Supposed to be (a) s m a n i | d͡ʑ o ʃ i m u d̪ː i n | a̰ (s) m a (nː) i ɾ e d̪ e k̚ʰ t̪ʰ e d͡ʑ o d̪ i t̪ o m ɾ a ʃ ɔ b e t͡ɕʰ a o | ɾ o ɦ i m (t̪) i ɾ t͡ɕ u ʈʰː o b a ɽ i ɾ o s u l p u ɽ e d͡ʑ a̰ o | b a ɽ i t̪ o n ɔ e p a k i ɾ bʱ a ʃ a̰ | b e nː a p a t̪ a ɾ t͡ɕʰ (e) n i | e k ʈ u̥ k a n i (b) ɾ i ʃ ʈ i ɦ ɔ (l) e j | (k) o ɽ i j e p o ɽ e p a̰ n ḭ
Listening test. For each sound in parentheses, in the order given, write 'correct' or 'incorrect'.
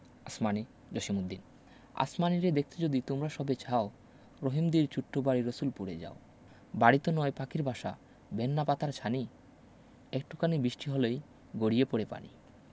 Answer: correct, correct, incorrect, incorrect, incorrect, correct, correct, incorrect

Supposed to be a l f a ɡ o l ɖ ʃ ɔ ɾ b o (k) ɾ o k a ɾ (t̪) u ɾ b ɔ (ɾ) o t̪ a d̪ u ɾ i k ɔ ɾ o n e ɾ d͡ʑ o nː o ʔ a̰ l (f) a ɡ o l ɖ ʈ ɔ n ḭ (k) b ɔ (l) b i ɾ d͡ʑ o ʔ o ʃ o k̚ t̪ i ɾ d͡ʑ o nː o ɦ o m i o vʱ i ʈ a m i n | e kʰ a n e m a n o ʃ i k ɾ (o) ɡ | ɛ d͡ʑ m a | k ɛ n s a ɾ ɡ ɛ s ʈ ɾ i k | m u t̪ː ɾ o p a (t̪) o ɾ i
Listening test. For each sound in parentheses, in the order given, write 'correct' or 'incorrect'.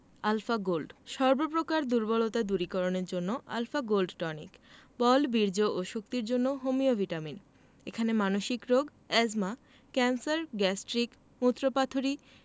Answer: incorrect, incorrect, incorrect, correct, correct, correct, correct, incorrect

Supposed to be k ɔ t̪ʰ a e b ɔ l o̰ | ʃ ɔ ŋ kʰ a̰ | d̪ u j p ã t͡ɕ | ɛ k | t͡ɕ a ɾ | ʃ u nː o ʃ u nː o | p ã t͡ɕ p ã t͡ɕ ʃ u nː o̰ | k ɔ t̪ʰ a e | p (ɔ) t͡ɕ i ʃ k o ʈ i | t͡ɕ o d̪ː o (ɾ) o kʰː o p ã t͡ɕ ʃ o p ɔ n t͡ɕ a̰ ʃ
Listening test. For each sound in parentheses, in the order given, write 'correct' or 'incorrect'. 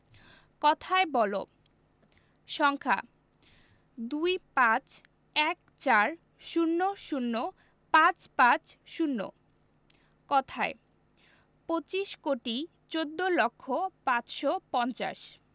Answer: incorrect, incorrect

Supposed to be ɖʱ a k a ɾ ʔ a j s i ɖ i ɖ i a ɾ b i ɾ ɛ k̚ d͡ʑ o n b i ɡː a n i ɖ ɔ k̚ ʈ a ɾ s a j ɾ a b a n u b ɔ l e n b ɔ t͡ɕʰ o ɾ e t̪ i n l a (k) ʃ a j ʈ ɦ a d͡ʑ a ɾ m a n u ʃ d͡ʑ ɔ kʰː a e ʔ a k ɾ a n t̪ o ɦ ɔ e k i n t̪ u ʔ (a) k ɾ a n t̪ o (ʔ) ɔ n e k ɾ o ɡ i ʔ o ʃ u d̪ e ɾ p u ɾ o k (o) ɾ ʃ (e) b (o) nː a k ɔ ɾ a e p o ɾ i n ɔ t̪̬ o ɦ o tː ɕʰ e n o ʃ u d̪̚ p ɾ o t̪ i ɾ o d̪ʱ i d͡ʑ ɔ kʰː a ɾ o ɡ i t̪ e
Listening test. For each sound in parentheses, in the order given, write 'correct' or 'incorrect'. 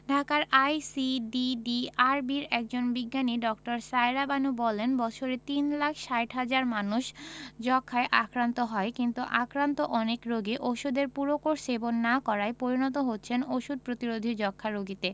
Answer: incorrect, correct, correct, correct, correct, correct

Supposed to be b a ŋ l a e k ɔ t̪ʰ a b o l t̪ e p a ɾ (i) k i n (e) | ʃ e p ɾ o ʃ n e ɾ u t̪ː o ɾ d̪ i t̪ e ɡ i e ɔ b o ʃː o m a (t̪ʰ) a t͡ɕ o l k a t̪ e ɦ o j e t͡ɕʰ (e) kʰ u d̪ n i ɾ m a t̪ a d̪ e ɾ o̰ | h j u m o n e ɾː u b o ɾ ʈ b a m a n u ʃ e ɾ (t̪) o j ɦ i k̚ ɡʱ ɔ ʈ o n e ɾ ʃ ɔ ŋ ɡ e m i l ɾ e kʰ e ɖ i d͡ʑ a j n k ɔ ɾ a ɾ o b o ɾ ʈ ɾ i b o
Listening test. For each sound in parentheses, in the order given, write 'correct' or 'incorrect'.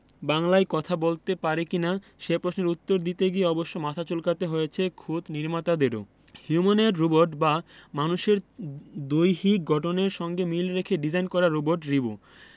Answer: incorrect, incorrect, correct, correct, incorrect

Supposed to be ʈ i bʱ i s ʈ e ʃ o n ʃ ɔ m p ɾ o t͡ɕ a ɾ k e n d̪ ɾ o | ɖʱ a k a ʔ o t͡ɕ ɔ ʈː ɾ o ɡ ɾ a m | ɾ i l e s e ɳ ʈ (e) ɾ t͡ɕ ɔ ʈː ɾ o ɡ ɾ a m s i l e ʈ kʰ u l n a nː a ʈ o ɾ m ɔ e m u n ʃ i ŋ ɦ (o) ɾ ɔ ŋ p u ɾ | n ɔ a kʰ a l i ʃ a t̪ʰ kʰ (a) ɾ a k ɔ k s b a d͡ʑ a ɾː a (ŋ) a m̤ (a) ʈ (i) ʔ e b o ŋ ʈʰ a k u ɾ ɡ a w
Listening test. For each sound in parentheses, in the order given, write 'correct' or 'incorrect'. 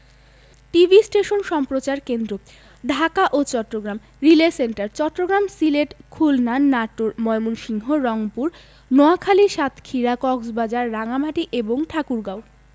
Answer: incorrect, correct, incorrect, correct, correct, correct

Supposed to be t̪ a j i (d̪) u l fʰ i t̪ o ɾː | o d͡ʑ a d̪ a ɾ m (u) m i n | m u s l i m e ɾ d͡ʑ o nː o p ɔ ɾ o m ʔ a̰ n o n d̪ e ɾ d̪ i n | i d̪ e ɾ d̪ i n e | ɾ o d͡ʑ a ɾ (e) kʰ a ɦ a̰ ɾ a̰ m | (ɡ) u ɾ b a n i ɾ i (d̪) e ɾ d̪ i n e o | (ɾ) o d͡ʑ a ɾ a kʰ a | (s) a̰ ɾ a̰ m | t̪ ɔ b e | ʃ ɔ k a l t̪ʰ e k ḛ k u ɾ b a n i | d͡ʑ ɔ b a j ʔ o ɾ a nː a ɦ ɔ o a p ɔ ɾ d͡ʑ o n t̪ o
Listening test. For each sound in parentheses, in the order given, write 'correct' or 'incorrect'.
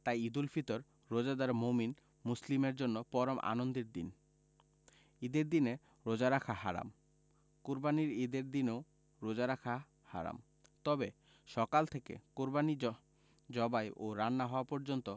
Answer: correct, incorrect, incorrect, incorrect, correct, correct, incorrect

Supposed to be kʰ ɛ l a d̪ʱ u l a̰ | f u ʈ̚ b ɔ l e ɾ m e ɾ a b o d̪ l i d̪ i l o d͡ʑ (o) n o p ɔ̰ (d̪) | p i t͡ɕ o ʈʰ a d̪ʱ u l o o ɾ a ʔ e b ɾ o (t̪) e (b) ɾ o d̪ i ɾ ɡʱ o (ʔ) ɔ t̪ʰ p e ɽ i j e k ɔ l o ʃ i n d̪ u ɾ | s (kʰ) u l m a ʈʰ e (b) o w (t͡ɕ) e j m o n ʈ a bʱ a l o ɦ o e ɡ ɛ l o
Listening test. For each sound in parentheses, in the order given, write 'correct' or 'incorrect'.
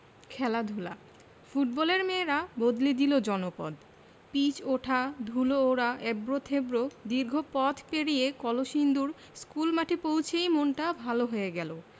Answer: incorrect, correct, incorrect, correct, incorrect, incorrect, incorrect, incorrect

